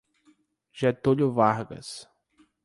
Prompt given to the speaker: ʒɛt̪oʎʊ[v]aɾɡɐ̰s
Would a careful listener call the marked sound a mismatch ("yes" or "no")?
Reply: no